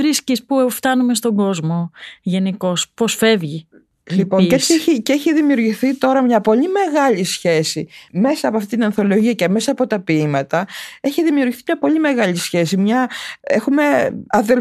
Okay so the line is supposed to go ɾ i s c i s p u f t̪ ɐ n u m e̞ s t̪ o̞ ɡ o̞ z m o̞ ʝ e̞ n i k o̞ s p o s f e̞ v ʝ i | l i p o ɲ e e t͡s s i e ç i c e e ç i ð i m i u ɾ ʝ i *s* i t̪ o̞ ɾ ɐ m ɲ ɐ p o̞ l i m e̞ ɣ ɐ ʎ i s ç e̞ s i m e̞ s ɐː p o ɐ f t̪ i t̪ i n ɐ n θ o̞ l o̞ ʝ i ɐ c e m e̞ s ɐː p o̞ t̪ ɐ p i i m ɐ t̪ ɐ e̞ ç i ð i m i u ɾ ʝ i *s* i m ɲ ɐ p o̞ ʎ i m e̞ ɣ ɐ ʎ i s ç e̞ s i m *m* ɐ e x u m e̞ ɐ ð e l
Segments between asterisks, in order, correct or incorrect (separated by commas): incorrect, incorrect, incorrect